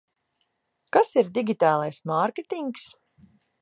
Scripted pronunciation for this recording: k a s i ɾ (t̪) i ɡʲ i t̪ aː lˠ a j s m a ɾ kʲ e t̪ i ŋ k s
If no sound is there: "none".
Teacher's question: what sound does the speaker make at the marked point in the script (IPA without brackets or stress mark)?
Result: d̪